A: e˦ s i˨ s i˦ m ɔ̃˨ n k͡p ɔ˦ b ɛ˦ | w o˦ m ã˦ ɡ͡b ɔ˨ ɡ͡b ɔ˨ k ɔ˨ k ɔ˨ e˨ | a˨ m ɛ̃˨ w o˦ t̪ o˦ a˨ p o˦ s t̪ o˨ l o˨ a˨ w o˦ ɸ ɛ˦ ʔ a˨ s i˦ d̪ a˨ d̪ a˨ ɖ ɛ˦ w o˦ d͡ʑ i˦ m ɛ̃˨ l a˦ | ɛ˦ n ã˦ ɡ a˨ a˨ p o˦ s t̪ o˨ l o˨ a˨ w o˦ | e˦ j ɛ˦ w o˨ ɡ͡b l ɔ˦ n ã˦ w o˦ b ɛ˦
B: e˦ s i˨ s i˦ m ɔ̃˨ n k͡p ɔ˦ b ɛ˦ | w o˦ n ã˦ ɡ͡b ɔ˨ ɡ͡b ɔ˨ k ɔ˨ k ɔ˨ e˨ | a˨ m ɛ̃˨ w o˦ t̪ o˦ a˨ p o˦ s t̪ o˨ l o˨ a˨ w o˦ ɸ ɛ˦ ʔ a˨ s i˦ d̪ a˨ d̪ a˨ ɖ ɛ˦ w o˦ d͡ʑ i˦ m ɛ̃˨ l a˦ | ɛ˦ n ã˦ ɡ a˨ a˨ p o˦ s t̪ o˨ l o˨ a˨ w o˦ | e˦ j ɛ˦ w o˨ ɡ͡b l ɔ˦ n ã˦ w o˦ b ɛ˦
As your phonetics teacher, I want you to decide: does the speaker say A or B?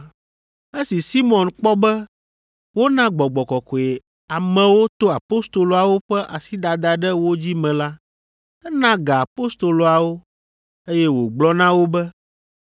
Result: B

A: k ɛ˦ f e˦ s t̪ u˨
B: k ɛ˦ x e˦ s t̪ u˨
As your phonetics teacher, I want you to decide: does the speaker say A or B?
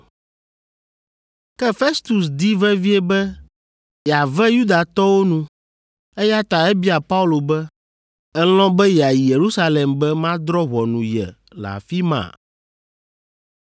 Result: A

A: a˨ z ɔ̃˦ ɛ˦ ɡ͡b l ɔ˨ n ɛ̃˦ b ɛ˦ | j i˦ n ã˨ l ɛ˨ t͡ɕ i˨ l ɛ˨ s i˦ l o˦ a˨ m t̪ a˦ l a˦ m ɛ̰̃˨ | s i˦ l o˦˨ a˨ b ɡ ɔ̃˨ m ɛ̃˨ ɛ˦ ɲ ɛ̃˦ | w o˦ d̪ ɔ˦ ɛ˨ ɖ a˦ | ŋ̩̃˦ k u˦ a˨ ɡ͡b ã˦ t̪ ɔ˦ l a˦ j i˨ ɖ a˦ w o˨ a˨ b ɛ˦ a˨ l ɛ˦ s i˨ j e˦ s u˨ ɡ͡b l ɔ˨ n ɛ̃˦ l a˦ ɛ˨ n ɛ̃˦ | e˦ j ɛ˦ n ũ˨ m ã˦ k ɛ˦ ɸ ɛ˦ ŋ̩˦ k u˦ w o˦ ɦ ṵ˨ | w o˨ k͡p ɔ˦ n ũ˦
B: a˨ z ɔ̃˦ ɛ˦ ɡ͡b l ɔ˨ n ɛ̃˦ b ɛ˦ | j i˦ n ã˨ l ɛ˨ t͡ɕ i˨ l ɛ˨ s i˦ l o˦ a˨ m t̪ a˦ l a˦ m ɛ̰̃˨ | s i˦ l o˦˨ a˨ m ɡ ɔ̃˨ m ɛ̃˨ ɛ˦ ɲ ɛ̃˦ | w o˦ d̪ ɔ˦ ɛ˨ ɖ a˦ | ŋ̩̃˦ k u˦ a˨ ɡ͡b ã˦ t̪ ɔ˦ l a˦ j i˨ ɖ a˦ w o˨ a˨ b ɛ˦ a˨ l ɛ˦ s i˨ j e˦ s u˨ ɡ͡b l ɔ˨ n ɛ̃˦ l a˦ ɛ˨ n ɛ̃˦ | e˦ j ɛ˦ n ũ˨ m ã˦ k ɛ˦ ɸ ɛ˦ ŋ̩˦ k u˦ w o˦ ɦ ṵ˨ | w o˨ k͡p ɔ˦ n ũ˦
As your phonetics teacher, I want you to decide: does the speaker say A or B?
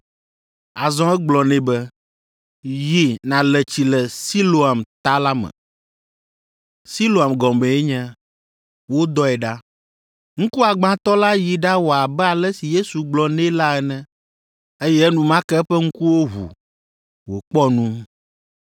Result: B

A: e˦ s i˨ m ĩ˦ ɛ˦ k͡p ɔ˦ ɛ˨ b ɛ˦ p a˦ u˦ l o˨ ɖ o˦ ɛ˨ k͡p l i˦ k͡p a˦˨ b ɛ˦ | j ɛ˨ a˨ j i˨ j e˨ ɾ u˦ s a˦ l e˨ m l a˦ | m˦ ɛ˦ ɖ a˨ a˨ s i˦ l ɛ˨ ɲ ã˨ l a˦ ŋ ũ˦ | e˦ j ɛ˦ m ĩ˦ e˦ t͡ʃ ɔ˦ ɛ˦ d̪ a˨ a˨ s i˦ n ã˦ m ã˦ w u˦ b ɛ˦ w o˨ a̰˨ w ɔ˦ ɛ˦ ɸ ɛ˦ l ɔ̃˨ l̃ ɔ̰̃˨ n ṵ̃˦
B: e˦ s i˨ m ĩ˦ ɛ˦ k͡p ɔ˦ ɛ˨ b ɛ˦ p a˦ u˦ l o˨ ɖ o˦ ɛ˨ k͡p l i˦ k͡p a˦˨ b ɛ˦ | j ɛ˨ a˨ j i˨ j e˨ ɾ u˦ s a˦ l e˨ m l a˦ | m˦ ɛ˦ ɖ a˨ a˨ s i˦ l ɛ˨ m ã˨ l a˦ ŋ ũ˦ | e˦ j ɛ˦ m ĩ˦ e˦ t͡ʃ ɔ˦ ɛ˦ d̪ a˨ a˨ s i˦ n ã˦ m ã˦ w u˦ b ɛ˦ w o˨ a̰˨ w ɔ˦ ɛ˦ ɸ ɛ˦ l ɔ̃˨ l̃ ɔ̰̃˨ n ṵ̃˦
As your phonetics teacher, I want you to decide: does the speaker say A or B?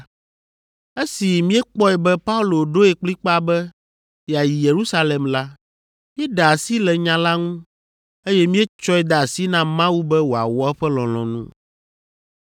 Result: A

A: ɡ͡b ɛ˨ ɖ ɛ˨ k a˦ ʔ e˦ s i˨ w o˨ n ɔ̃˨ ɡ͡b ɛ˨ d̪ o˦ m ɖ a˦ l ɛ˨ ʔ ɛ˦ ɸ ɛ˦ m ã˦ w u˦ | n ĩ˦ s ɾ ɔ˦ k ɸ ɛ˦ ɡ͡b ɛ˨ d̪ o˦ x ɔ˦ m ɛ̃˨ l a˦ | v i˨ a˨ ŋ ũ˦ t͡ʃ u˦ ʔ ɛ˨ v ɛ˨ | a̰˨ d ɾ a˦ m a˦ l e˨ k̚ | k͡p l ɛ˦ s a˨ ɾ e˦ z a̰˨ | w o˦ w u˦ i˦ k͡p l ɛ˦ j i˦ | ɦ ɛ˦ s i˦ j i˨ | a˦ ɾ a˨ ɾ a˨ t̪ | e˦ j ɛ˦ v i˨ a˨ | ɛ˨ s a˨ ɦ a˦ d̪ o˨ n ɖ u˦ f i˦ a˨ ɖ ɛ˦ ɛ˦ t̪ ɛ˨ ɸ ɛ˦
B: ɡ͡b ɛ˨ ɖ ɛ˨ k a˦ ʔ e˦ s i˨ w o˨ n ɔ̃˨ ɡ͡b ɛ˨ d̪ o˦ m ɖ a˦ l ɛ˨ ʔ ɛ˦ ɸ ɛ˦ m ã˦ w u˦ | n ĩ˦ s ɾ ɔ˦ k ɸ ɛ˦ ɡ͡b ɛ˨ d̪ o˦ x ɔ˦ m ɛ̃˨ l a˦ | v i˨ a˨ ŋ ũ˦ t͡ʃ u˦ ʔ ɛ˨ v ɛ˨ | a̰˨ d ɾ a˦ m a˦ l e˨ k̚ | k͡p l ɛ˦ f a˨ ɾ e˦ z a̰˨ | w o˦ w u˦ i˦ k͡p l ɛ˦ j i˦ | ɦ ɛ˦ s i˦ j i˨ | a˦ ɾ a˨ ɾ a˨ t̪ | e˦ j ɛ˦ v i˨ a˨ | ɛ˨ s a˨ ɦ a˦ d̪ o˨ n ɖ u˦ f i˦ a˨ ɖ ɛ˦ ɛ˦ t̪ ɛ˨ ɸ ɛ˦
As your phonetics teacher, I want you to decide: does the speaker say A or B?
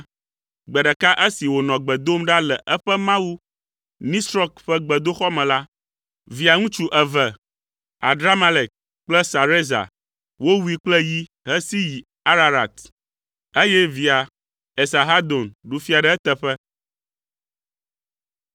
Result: A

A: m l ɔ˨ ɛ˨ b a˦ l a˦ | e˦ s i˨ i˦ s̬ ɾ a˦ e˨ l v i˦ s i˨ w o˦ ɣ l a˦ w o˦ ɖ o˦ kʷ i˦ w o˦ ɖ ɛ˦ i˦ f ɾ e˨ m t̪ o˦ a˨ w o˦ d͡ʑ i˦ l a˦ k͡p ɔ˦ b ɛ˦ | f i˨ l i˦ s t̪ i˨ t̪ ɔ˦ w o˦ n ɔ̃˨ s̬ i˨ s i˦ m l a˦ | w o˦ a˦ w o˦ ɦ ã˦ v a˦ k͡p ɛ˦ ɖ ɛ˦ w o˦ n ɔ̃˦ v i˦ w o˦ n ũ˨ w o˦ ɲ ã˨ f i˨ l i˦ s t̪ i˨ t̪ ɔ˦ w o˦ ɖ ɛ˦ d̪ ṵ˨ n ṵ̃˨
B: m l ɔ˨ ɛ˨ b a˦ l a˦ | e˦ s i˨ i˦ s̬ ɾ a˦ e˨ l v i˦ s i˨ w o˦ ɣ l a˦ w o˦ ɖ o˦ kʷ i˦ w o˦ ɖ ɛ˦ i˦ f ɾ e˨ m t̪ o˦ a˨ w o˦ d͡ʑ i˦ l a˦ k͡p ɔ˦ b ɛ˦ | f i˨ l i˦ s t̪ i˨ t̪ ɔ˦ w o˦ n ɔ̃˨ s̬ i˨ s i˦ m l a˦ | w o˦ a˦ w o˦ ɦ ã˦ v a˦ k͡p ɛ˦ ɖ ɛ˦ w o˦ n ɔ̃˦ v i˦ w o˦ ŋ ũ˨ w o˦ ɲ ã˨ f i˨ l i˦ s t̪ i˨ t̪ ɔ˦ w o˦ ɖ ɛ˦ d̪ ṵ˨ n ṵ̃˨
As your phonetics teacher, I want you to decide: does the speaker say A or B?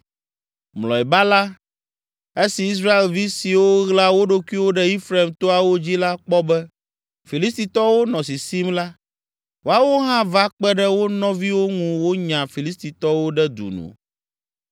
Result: B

